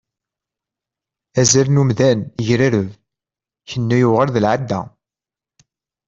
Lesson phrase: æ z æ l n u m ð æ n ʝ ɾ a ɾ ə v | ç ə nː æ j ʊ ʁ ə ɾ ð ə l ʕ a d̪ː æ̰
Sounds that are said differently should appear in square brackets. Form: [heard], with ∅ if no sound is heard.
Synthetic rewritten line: æ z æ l n u m ð æ n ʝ ɾ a ɾ ə v | ç ə nː æ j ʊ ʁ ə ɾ ð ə l ʕ a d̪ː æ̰